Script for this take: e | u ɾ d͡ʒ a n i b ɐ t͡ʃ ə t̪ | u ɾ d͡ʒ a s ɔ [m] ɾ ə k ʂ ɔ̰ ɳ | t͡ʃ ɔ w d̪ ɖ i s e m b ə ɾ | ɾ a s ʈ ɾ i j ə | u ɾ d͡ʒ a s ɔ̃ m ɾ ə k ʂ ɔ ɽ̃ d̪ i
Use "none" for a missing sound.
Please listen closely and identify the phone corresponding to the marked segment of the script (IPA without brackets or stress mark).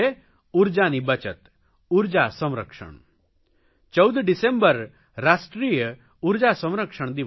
m